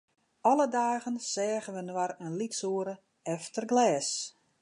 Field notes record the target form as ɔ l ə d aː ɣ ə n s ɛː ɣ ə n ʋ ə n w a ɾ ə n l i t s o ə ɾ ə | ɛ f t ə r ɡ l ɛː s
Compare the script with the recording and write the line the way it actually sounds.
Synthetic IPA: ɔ l ə d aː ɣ ə n s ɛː ɣ ə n ʋ ə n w a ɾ ə n l i t s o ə ɾ ə | ɛ f t ə r ɡ l ɛː s